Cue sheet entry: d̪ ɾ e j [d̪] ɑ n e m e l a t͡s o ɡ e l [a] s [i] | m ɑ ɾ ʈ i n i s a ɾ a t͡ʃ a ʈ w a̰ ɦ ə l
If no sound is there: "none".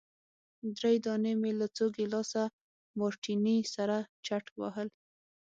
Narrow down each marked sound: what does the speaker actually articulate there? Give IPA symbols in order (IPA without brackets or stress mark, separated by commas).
d̪, ɑ, a